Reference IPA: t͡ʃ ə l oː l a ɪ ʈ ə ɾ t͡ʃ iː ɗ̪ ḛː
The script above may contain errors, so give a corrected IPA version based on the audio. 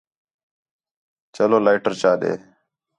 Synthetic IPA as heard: t͡ʃ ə l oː l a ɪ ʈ ə ɾ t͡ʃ aː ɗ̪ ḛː